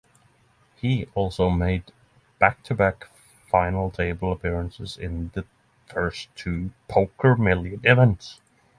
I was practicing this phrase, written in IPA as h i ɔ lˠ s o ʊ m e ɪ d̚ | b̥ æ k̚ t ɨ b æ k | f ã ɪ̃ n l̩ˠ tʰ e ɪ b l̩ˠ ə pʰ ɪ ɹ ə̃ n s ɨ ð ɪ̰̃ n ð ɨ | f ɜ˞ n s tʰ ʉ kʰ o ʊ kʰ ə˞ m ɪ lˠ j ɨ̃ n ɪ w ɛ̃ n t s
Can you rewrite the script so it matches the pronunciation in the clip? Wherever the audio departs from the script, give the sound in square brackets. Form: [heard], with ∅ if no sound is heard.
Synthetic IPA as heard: h i ɔ lˠ s o ʊ m e ɪ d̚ | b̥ æ k̚ [tʰ] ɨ b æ k | f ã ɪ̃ n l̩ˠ tʰ e ɪ b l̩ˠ ə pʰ ɪ ɹ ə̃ n s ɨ [z] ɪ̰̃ n ð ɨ | f ɜ˞ [∅] s tʰ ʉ [pʰ] o ʊ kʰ ə˞ m ɪ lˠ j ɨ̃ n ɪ [v] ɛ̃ n t s

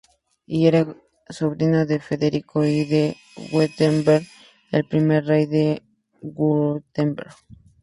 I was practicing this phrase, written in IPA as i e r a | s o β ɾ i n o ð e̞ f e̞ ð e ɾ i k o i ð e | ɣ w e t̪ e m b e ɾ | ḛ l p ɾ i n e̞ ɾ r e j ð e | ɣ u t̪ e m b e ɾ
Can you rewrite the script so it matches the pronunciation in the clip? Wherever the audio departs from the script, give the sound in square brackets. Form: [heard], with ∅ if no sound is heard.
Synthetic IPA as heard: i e [ɾ] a | s o β ɾ i n o ð e̞ f e̞ ð e ɾ i k o i ð e | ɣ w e t̪ e m b e ɾ | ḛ l p ɾ i [m] e̞ ɾ r e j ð e | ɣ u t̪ e m b e ɾ

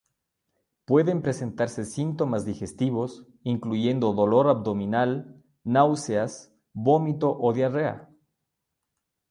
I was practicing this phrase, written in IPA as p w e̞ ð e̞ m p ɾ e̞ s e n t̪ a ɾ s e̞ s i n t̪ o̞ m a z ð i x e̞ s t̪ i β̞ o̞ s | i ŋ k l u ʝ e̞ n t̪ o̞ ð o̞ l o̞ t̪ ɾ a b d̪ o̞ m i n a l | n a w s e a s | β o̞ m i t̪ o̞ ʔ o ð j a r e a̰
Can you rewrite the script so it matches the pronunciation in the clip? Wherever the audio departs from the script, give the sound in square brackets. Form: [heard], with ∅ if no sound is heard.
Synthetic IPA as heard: p w e̞ ð e̞ m p ɾ e̞ s e n t̪ a ɾ s e̞ s i n t̪ o̞ m a z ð i x e̞ s t̪ i β̞ o̞ s | i ŋ k l u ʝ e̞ n [d̪] o̞ ð o̞ l o̞ [∅] ɾ a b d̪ o̞ m i n a l | n a w s e a s | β o̞ m i t̪ o̞ ʔ o ð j a r e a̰

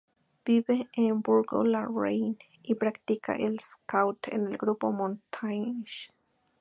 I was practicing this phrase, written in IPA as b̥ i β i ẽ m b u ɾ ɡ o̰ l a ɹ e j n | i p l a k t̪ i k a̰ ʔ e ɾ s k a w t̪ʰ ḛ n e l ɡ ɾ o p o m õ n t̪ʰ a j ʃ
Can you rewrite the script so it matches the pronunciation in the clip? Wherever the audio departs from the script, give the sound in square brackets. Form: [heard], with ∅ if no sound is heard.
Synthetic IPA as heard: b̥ i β [e] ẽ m b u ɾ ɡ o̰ l a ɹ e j n | i p [ɾ] a k t̪ i k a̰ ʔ e [l] s k a w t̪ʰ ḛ n e l ɡ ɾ [u] p o m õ n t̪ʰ a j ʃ

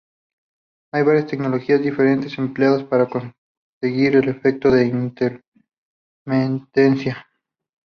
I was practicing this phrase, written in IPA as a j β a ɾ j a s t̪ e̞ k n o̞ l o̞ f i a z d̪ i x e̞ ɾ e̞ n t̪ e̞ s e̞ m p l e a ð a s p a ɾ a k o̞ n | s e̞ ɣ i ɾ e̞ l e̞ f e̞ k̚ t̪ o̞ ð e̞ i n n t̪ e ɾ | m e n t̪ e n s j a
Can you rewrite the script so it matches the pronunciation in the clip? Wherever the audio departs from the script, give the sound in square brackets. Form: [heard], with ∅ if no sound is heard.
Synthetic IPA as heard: a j β a ɾ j a s t̪ e̞ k n o̞ l o̞ [x] i a z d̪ i [f] e̞ ɾ e̞ n t̪ e̞ s e̞ m p l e a ð a s p a ɾ a k o̞ n | s e̞ ɣ i ɾ e̞ l e̞ f e̞ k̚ t̪ o̞ ð e̞ i n n t̪ e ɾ | m e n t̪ e n s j a

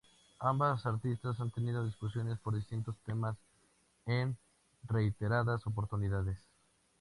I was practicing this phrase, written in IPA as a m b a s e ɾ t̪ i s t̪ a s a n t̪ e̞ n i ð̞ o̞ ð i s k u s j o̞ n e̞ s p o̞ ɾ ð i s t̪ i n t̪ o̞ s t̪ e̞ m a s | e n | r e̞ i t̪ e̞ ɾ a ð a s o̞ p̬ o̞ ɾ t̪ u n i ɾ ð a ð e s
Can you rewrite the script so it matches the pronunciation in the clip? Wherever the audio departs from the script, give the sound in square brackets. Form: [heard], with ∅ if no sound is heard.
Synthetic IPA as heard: a m b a s [a] ɾ t̪ i s t̪ a s a n t̪ e̞ n i ð̞ o̞ ð i s k u s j o̞ n e̞ s p o̞ ɾ ð i s t̪ i n t̪ o̞ s t̪ e̞ m a s | e n | r e̞ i t̪ e̞ ɾ a ð a s o̞ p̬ o̞ ɾ t̪ u n i [∅] ð a ð e s

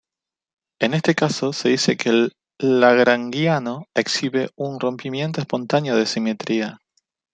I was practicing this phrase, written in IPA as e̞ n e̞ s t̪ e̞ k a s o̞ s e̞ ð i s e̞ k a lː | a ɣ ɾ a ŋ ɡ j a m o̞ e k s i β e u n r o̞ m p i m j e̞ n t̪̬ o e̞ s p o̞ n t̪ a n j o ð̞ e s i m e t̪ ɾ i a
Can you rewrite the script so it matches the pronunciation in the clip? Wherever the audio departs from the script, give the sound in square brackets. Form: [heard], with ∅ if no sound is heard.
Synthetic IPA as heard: e̞ n e̞ s t̪ e̞ k a s o̞ s e̞ ð i s e̞ k [e] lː | a ɣ ɾ a ŋ ɡ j a [n] o̞ e k s i β e u n r o̞ m p i m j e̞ n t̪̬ o e̞ s p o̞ n t̪ a n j o ð̞ e s i m e t̪ ɾ i a

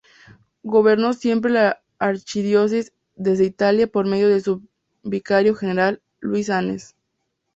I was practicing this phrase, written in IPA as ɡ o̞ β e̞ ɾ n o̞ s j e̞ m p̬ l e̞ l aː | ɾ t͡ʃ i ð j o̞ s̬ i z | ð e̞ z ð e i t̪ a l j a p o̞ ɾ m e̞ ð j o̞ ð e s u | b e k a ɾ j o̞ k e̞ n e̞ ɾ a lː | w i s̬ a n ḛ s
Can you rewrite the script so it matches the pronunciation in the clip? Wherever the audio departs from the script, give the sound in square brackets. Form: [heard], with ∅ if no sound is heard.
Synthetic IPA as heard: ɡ o̞ β e̞ ɾ n o̞ s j e̞ m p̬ [ɾ] e̞ l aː | ɾ t͡ʃ i ð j o̞ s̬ i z | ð e̞ z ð e i t̪ a l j a p o̞ ɾ m e̞ ð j o̞ ð e s u | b [i] k a ɾ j o̞ [x] e̞ n e̞ ɾ a lː | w i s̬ a n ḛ s

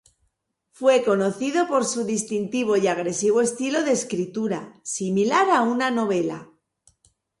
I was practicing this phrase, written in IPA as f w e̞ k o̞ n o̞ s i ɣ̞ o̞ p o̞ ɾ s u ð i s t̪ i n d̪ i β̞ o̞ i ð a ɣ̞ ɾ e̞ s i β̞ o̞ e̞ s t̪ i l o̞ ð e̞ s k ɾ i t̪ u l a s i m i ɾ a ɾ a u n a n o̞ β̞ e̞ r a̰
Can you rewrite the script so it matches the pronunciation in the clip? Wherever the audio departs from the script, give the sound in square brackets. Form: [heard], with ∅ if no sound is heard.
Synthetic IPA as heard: f w e̞ k o̞ n o̞ [θ] i [ð̞] o̞ p o̞ ɾ s u ð i s t̪ i n [t̪] i β̞ o̞ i [∅] a ɣ̞ ɾ e̞ s i β̞ o̞ e̞ s t̪ i l o̞ ð e̞ s k ɾ i t̪ u [ɾ] a s i m i [l] a ɾ a u n a n o̞ β̞ e̞ [l] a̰

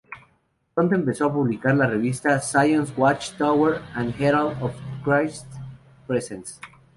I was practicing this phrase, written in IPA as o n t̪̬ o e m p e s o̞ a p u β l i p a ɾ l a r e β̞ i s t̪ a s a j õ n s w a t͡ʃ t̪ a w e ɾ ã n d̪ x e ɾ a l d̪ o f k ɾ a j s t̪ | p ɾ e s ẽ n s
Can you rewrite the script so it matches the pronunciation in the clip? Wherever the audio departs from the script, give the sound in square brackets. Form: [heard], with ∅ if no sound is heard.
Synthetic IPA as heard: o n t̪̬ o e m p e s o̞ a p u β l i [k] a ɾ l a r e β̞ i s t̪ a s a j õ n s w a t͡ʃ t̪ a w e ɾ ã n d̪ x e ɾ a l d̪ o f k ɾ a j s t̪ | p ɾ e s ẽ n s

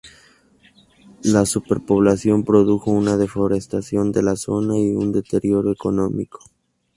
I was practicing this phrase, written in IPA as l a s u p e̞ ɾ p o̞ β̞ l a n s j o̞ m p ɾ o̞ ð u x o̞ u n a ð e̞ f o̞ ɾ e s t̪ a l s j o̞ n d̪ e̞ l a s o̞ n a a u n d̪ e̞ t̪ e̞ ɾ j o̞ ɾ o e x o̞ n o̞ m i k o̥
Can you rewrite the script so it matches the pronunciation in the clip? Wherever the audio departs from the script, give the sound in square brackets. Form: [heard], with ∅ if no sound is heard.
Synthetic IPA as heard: l a s u p e̞ ɾ p o̞ β̞ l a [∅] s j o̞ m p ɾ o̞ ð u x o̞ u n a ð e̞ f o̞ ɾ e s t̪ a [∅] s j o̞ n d̪ e̞ l a s o̞ n a [i] u n d̪ e̞ t̪ e̞ ɾ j o̞ ɾ o e [k] o̞ n o̞ m i k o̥

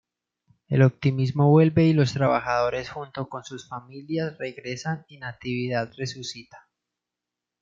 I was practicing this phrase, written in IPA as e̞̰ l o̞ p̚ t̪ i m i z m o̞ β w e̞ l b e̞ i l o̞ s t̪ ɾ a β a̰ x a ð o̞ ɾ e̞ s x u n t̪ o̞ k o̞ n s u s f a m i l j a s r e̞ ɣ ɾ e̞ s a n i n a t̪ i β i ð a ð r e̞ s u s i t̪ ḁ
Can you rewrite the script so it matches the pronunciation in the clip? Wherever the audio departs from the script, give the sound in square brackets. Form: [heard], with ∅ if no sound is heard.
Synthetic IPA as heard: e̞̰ l o̞ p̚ t̪ i m i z m o̞ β w e̞ l b e̞ i l o̞ s t̪ ɾ a β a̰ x a ð o̞ ɾ e̞ s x u n t̪ o̞ k o̞ n s u s f a m i l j a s r e̞ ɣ ɾ e̞ s a n i n a t̪ i β i ð a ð r e̞ s u s i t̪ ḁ

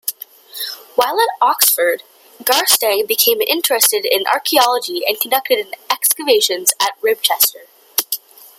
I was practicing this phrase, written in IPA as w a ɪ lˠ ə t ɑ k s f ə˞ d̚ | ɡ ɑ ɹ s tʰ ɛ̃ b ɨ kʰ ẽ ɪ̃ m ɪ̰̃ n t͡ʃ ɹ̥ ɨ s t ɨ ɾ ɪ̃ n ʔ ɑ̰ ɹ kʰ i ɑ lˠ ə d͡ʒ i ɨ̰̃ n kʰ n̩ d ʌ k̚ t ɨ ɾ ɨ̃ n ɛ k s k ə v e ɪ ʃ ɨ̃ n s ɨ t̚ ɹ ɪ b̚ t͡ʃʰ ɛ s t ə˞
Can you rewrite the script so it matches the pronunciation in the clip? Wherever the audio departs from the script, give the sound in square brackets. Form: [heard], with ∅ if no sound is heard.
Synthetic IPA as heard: w a ɪ lˠ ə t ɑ k s f ə˞ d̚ | ɡ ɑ ɹ s [t] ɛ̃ b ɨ kʰ ẽ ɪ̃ m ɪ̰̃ n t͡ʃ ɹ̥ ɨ s t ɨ ɾ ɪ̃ n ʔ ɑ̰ ɹ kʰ i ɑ lˠ ə d͡ʒ i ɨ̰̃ n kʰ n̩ d ʌ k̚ t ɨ ɾ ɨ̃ n ɛ k s k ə v e ɪ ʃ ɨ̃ n [z] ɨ t̚ ɹ ɪ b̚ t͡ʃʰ ɛ s t ə˞

